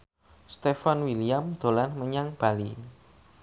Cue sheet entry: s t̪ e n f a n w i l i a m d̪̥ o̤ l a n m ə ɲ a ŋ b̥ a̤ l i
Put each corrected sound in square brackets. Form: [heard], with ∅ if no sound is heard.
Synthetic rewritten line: s t̪ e [∅] f a n w i l i a m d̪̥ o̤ l a n m ə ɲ a ŋ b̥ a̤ l i